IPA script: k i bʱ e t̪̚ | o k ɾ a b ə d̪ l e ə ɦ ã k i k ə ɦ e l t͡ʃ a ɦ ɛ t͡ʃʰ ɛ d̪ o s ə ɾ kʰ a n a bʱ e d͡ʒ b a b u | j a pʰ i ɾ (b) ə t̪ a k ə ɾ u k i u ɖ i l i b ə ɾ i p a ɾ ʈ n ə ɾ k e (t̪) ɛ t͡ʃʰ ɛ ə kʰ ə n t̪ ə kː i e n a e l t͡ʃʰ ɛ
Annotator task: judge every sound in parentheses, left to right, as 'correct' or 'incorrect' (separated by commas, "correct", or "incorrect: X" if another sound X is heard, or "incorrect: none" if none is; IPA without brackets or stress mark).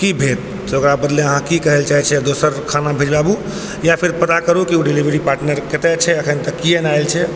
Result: incorrect: p, correct